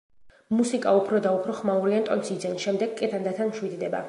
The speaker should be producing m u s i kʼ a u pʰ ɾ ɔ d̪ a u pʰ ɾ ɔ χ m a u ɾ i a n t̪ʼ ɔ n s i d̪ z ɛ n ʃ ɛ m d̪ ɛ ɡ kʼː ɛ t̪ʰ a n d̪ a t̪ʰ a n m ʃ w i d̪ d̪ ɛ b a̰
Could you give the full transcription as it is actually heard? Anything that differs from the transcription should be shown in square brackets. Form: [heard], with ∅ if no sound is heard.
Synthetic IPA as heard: m u s i kʼ a u pʰ ɾ ɔ d̪ a u pʰ ɾ ɔ χ m a u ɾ i a n t̪ʼ ɔ n s i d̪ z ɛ n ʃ ɛ m d̪ ɛ ɡ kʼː ɛ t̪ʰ a n d̪ a t̪ʰ a n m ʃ w i d̪ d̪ ɛ b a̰